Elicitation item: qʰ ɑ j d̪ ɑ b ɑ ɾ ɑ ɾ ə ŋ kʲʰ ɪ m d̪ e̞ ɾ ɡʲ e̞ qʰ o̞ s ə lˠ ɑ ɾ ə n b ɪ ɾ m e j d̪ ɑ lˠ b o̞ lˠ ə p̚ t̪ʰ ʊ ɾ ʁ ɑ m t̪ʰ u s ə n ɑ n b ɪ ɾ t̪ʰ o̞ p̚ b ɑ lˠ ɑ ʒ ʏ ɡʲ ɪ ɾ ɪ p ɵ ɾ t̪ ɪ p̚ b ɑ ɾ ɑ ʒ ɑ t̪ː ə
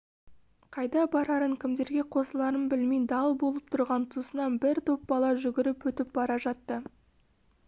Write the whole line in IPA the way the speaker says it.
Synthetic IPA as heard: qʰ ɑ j d̪ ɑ b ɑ ɾ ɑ ɾ ə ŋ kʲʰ ɪ m d̪ e̞ ɾ ɡʲ e̞ qʰ o̞ s ə lˠ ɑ ɾ ə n b ɪ l m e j d̪ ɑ lˠ b o̞ lˠ ə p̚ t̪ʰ ʊ ɾ ʁ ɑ n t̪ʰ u s ə n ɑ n b ɪ ɾ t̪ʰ o̞ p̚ b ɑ lˠ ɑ ʒ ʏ ɡʲ ɪ ɾ ɪ p ɵ t̪ ɪ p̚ b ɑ ɾ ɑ ʒ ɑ t̪ː ə